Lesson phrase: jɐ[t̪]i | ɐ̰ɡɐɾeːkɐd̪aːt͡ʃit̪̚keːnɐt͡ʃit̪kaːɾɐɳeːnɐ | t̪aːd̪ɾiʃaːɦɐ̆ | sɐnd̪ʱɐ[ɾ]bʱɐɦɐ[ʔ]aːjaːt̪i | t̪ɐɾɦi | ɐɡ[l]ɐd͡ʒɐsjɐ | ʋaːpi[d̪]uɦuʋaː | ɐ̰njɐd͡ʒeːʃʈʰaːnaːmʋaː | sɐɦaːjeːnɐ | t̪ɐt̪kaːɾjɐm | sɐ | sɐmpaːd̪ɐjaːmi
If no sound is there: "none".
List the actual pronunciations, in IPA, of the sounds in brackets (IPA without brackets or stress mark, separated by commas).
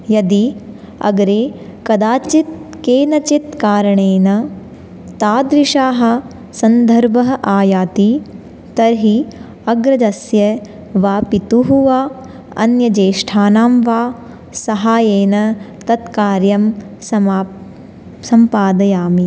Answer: d̪, ɾ, ʔ, ɾ, t̪